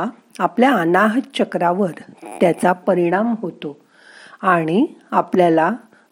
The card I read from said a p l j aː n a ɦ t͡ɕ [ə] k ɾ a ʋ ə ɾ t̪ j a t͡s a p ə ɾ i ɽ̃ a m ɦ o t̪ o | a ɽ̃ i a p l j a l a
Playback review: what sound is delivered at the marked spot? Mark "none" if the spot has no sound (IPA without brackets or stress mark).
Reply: ə